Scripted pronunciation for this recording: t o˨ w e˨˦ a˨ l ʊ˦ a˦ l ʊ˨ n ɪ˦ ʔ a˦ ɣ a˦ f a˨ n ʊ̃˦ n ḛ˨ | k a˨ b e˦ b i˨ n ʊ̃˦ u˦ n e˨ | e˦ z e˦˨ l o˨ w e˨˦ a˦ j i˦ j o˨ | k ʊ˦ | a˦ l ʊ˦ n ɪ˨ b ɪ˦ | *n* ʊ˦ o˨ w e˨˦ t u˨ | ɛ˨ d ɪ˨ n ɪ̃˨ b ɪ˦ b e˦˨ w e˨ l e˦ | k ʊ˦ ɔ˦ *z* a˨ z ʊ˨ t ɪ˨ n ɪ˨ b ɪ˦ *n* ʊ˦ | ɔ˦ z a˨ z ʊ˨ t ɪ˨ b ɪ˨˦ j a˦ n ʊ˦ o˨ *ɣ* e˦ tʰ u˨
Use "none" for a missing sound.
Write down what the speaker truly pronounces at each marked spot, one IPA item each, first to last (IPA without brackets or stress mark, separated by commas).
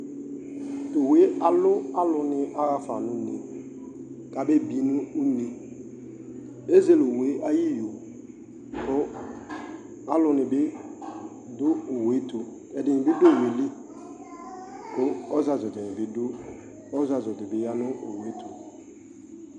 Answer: d, z, d, w